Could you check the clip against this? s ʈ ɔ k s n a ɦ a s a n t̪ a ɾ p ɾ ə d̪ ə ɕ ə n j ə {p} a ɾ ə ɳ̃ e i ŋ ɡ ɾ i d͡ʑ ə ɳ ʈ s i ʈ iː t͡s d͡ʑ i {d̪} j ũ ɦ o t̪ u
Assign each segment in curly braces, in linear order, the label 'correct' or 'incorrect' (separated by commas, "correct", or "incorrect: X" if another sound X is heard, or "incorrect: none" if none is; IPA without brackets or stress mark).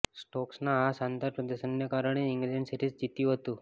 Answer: incorrect: k, incorrect: t̪